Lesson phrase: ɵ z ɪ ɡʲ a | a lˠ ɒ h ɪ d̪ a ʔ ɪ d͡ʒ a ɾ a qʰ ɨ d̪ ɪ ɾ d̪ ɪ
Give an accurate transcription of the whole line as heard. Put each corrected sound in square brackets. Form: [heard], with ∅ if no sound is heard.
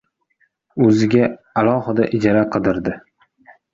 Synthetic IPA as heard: ɵ z ɪ ɡʲ a | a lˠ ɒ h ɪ d̪ a ʔ ɪ d͡ʒ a ɾ a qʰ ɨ d̪ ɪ ɾ d̪ ɪ